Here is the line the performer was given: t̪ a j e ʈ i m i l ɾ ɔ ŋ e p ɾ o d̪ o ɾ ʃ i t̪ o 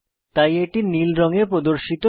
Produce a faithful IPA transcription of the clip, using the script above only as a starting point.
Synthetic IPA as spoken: t̪ a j e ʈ i n i l ɾ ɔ ŋ e p ɾ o d̪ o ɾ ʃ i t̪ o